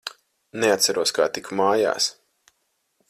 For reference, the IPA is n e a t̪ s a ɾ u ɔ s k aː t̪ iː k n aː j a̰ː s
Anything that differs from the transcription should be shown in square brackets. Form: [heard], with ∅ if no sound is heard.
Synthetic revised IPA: n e a t̪ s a ɾ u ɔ s k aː t̪ [i] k [m] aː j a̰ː s